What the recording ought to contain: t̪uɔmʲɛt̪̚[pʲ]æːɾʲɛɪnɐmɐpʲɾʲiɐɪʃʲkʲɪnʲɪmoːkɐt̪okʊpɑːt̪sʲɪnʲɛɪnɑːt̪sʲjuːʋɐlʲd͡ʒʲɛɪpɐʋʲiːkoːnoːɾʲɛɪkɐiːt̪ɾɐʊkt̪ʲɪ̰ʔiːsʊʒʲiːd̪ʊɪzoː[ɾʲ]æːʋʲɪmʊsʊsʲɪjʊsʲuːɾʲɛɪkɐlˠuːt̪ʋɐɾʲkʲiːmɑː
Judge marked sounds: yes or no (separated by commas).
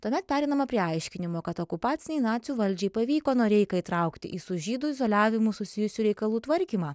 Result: yes, no